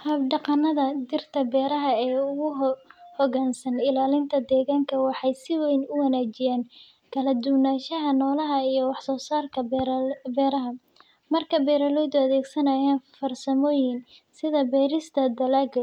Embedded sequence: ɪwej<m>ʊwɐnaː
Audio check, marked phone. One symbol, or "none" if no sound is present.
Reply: n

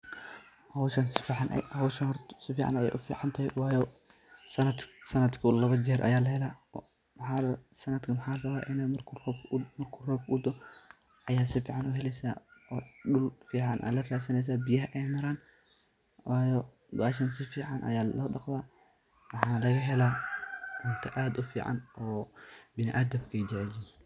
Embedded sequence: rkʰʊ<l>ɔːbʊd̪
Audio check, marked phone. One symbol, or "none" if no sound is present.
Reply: r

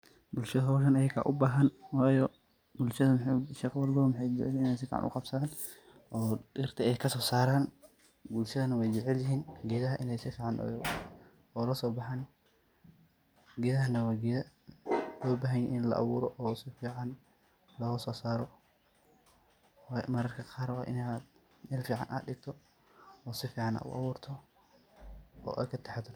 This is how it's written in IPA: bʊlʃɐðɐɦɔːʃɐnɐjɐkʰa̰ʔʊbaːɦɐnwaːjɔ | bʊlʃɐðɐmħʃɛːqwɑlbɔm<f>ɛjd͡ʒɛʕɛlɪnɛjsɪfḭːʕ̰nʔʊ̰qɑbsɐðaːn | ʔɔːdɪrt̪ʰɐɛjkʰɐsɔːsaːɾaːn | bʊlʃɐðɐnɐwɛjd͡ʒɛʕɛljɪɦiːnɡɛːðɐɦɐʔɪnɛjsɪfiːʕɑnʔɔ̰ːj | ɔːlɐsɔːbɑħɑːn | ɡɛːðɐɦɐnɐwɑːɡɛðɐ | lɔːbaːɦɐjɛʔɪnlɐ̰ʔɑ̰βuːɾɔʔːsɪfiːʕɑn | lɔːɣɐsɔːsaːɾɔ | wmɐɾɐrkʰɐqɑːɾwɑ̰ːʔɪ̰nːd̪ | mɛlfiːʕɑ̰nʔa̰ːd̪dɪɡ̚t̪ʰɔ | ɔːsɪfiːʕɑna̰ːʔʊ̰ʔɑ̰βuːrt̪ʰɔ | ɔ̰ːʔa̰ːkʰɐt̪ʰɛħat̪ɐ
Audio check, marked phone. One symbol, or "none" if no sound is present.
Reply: ħ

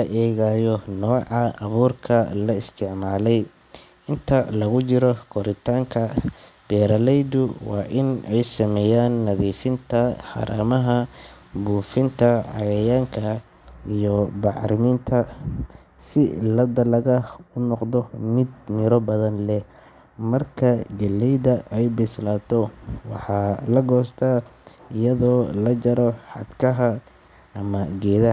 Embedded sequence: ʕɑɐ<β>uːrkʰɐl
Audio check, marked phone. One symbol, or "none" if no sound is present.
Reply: β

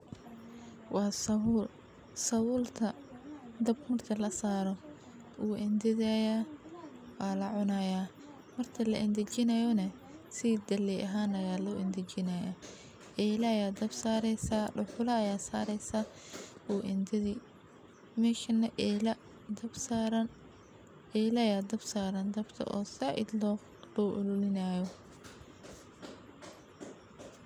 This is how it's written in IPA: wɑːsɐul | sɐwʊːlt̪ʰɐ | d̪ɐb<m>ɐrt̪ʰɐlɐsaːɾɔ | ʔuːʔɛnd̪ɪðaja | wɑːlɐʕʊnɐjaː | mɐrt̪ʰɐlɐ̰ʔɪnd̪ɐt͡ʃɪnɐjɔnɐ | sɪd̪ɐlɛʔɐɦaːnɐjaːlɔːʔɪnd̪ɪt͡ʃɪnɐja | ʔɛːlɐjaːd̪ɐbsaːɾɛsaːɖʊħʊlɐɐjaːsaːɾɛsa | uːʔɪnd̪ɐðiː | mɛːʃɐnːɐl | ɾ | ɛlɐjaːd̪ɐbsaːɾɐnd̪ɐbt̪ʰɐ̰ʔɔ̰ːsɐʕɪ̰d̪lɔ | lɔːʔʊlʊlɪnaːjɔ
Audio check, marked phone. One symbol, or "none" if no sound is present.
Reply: m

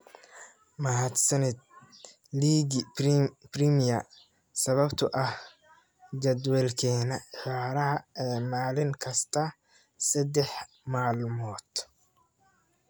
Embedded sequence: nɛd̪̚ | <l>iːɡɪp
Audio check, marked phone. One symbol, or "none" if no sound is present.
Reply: l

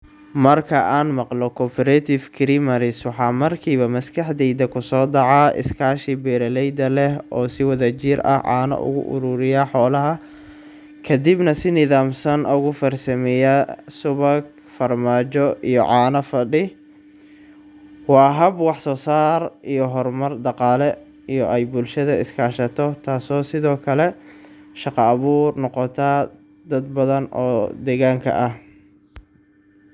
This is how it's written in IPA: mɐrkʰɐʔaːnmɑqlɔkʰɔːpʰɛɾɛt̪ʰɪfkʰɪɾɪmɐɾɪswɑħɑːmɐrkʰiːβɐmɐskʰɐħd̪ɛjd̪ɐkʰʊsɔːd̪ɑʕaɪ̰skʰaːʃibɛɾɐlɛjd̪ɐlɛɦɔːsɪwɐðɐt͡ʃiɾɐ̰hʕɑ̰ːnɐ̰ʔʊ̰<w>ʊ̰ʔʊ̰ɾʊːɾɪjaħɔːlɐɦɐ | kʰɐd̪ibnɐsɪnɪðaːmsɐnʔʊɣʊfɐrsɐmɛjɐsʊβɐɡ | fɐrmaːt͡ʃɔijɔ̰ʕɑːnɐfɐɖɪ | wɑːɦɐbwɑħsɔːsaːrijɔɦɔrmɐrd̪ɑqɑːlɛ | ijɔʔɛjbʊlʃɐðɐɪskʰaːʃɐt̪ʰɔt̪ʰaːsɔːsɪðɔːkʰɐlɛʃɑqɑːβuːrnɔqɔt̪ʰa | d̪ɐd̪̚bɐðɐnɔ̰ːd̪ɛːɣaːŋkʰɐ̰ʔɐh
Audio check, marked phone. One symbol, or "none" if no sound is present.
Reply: ɣ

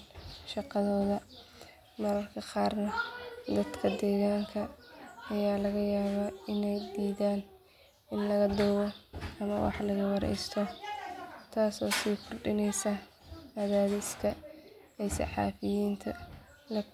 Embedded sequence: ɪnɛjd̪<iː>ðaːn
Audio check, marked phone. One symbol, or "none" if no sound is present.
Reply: iː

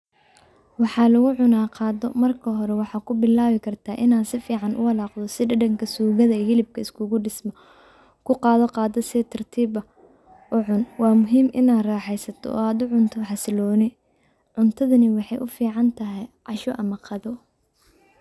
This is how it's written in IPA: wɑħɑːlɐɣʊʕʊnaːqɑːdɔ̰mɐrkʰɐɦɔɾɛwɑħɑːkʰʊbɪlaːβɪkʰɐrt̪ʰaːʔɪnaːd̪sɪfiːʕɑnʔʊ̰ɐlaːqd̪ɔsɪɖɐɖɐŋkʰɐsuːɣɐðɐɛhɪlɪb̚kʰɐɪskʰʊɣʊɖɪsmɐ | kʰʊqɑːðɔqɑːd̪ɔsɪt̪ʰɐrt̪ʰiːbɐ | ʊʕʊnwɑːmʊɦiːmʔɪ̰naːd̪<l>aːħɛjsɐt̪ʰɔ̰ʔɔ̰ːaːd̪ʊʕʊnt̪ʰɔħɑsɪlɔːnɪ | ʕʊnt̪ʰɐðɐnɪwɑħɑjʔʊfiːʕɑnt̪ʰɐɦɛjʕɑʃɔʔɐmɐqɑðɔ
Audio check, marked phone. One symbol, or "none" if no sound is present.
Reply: r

